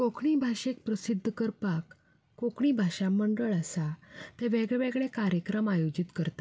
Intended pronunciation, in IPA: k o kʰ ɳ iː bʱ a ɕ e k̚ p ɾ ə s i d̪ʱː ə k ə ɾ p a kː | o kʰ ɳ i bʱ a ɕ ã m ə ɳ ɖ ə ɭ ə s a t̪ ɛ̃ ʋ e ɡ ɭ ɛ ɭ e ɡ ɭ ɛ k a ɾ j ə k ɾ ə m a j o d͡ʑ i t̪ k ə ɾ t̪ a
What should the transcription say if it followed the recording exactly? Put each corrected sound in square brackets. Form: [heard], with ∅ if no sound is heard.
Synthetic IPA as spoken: k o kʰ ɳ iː bʱ a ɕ e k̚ p ɾ ə s i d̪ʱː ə k ə ɾ p a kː | o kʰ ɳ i bʱ a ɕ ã m ə ɳ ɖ ə ɭ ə s a t̪ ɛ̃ ʋ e ɡ ɭ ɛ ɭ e ɡ ɭ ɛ k a ɾ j ə k ɾ ə m a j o d͡ʑ i t̪ k ə ɾ t̪ a